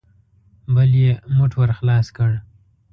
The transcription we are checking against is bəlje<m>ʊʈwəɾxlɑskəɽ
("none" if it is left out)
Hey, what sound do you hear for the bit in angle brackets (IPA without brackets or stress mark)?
m